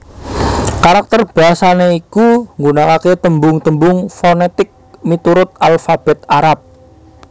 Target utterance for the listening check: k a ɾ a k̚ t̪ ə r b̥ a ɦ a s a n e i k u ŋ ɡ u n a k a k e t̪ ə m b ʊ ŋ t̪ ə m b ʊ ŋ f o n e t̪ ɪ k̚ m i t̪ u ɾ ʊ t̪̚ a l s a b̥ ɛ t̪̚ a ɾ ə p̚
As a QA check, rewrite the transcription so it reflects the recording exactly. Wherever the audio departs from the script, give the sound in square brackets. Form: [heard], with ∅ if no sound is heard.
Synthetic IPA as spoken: k a ɾ a k̚ t̪ ə r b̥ a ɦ a s a n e i k u ŋ ɡ u n a k a k e t̪ ə m b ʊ ŋ t̪ ə m b ʊ ŋ f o n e t̪ ɪ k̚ m i t̪ u ɾ ʊ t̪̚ a l [f] a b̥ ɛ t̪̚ a ɾ [a] p̚